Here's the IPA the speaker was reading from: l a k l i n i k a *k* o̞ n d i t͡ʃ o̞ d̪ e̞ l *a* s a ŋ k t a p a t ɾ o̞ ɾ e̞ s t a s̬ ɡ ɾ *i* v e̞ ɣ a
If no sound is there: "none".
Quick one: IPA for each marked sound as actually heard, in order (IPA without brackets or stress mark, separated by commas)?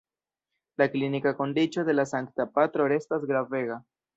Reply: k, a, a